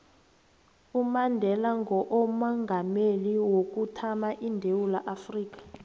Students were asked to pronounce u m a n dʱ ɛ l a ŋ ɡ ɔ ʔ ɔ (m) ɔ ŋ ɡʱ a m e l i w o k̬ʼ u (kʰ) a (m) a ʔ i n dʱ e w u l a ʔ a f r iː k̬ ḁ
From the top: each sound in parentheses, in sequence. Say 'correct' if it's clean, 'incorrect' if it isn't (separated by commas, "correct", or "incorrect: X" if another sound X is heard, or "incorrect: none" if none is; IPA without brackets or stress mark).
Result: correct, incorrect: tʰ, correct